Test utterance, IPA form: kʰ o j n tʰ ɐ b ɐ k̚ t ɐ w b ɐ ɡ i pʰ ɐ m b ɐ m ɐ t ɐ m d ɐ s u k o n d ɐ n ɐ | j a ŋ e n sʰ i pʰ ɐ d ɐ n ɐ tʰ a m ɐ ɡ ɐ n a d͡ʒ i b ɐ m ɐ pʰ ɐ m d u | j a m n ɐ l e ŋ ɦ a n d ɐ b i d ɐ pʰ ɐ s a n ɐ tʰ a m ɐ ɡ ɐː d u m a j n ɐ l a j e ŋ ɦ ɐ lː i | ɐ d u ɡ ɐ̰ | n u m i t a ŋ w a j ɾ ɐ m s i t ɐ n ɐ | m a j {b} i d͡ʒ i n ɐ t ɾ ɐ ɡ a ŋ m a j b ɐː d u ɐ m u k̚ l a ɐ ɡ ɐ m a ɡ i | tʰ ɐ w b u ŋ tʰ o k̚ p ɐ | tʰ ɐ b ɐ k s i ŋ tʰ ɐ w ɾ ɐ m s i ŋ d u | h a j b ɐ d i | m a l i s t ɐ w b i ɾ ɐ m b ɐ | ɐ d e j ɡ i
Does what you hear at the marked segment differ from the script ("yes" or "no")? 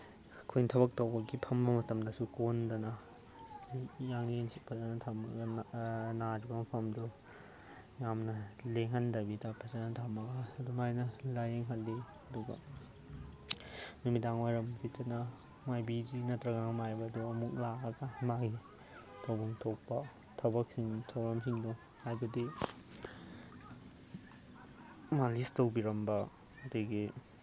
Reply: no